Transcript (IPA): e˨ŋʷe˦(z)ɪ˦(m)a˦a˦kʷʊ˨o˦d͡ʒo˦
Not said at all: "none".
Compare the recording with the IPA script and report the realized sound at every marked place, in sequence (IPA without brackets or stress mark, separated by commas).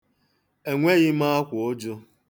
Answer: ɣ, m